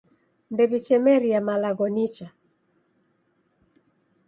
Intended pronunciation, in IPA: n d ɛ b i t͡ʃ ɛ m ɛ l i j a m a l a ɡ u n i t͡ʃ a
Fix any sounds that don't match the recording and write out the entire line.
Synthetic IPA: n d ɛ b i t͡ʃ ɛ m ɛ ɾ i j a m a l a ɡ ɔ n i t͡ʃ a